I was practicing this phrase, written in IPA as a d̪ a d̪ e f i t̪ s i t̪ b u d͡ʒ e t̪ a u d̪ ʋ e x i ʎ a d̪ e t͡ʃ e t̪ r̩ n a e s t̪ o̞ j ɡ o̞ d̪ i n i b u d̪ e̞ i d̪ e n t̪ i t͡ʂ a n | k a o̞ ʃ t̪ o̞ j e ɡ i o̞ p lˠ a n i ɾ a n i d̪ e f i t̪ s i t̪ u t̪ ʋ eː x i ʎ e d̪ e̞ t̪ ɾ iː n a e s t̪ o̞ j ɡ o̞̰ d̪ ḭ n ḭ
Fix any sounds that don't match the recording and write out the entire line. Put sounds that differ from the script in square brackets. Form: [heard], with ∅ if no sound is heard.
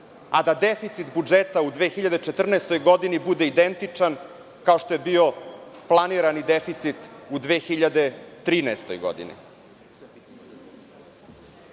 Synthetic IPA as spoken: a d̪ a d̪ e f i t̪ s i t̪ b u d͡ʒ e t̪ a u d̪ ʋ e x i ʎ a d̪ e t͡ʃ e t̪ r̩ n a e s t̪ o̞ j ɡ o̞ d̪ i n i b u d̪ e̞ i d̪ e n t̪ i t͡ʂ a n | k a o̞ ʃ t̪ o̞ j e [b] i o̞ p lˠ a n i ɾ a n i d̪ e f i t̪ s i t̪ u [d̪] ʋ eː x i ʎ [a] d̪ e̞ t̪ ɾ iː n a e s t̪ o̞ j ɡ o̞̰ d̪ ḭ n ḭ